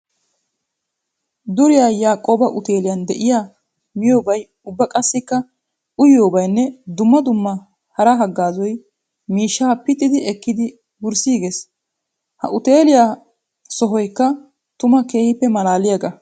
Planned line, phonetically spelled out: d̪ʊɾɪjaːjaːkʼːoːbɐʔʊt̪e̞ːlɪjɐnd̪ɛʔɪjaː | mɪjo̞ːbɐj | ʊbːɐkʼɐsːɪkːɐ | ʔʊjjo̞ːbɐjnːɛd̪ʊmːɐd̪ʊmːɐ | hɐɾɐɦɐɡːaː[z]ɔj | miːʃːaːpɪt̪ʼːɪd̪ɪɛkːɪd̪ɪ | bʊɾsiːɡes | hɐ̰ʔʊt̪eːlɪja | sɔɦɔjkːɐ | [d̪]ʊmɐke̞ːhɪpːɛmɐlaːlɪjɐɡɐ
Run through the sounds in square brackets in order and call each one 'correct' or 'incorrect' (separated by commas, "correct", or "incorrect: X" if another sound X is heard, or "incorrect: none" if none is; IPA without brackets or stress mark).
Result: correct, incorrect: t̪